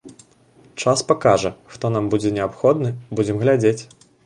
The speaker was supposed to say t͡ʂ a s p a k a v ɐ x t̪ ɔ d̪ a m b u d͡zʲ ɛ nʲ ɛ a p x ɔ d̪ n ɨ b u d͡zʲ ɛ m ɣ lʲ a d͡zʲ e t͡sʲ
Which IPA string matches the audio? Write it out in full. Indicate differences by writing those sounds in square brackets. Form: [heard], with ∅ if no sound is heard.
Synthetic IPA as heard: t͡ʂ a s p a k a [ʐ] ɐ x t̪ ɔ [n̪] a m b u d͡zʲ ɛ nʲ ɛ a p x ɔ d̪ n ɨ b u d͡zʲ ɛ m ɣ lʲ a d͡zʲ e t͡sʲ

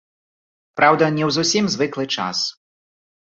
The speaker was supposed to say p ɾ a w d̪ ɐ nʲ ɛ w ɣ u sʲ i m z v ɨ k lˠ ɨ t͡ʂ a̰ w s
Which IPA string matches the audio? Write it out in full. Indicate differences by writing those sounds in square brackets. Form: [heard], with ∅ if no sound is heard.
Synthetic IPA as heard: p ɾ a w d̪ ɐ nʲ ɛ w [z] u sʲ i m z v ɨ k lˠ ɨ t͡ʂ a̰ [∅] s

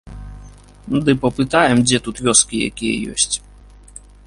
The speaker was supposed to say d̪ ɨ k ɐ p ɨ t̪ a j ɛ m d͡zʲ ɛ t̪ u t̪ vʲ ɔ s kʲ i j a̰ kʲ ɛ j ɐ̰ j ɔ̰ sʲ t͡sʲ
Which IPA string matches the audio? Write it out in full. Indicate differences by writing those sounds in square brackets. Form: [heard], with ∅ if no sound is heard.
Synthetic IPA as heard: d̪ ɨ [p] ɐ p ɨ t̪ a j ɛ m d͡zʲ ɛ t̪ u t̪ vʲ ɔ s kʲ i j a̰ kʲ [i] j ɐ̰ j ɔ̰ sʲ t͡sʲ

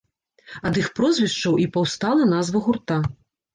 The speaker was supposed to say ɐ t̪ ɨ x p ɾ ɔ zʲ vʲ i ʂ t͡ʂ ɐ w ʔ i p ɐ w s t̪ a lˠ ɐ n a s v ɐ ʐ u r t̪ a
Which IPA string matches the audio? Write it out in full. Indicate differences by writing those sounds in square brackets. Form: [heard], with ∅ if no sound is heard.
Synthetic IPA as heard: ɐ [d̪] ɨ x p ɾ ɔ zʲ vʲ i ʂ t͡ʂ ɐ w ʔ i p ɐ w s t̪ a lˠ ɐ n a [z] v ɐ [ɣ] u r t̪ a

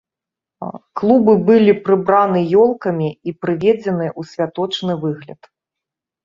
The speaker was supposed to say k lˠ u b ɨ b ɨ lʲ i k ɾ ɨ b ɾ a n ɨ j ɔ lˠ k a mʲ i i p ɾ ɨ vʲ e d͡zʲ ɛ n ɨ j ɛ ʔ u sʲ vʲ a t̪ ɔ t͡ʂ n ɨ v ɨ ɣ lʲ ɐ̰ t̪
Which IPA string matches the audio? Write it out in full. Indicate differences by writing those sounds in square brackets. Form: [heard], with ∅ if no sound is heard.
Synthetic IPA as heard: k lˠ u b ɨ b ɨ lʲ i [p] ɾ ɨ b ɾ a n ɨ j ɔ lˠ k [ɐ] mʲ i i p ɾ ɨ vʲ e d͡zʲ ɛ n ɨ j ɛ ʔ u sʲ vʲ a t̪ ɔ t͡ʂ n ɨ v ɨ ɣ lʲ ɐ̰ t̪

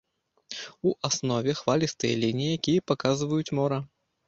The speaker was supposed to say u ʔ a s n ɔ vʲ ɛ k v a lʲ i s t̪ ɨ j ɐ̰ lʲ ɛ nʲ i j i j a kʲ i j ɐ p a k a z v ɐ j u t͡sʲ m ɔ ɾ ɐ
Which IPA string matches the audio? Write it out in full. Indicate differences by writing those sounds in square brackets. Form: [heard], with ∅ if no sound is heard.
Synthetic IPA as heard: u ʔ a s n ɔ vʲ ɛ [x] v a lʲ i s t̪ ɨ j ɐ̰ lʲ [i] nʲ i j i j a kʲ i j ɐ p a k a z v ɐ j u t͡sʲ m ɔ ɾ ɐ

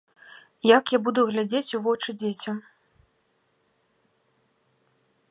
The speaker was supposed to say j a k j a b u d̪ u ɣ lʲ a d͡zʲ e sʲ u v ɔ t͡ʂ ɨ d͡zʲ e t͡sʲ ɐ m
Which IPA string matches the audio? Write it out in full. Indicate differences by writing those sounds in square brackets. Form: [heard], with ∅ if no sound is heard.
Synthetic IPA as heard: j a k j a b u d̪ u ɣ lʲ a d͡zʲ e [t͡sʲ] u v ɔ t͡ʂ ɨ d͡zʲ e t͡sʲ ɐ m

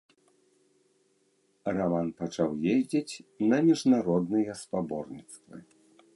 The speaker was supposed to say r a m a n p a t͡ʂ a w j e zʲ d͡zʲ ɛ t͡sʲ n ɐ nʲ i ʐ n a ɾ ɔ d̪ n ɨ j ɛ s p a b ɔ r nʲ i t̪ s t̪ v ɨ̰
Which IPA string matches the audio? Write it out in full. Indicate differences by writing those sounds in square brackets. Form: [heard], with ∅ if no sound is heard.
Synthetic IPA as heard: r a m a n p a t͡ʂ a w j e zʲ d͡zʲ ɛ t͡sʲ n ɐ [mʲ] i ʐ n a ɾ ɔ d̪ n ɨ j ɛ s p a b ɔ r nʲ i t̪ s t̪ v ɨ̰

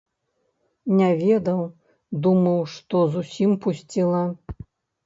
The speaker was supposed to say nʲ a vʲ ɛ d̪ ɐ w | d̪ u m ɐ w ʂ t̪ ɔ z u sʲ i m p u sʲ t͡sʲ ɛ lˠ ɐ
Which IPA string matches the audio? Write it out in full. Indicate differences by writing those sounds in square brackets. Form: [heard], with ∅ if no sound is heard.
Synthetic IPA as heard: nʲ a vʲ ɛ d̪ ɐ w | d̪ u m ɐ w ʂ t̪ ɔ z u sʲ i m p u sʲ t͡sʲ [i] lˠ ɐ

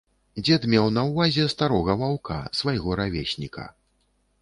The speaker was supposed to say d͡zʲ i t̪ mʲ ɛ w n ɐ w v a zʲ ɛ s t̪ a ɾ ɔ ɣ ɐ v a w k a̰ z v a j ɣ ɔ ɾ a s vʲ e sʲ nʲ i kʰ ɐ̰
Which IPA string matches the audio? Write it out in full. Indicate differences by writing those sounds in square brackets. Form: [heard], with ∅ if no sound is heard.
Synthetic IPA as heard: d͡zʲ [ɛ] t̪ mʲ ɛ w n ɐ w v a zʲ ɛ s t̪ a ɾ ɔ ɣ ɐ v a w k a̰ [s] v a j ɣ ɔ ɾ a [∅] vʲ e sʲ nʲ i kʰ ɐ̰

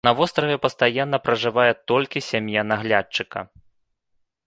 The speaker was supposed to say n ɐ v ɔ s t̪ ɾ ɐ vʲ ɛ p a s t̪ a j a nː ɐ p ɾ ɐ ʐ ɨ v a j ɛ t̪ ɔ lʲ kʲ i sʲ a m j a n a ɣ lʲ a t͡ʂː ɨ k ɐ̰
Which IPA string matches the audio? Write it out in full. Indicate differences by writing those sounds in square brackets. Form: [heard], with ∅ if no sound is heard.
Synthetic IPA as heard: n ɐ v ɔ s t̪ ɾ ɐ vʲ ɛ p [ɐ] s t̪ a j a nː ɐ p ɾ ɐ ʐ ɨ v a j ɛ t̪ ɔ lʲ kʲ i sʲ a m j a n a ɣ lʲ a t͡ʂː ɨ k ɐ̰

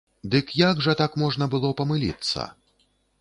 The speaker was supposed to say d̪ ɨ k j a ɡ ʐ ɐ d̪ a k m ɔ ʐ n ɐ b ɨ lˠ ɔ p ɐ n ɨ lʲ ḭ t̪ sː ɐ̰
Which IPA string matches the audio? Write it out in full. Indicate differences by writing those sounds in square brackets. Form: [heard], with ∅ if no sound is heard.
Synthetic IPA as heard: d̪ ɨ k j a ɡ ʐ ɐ [t̪] a k m ɔ ʐ n ɐ b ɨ lˠ ɔ p ɐ [m] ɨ lʲ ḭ t̪ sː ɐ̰

